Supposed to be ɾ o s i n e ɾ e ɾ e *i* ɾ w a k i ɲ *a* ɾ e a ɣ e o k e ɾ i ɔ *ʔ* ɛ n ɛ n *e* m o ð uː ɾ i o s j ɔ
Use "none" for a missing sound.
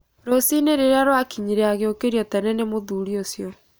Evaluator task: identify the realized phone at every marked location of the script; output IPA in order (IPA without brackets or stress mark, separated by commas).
a, i, t, e